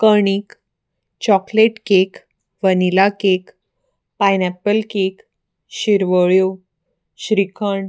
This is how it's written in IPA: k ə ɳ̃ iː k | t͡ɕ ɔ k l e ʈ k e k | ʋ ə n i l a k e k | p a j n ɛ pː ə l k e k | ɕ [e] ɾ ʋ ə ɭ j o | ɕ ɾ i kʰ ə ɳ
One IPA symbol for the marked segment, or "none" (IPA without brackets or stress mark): i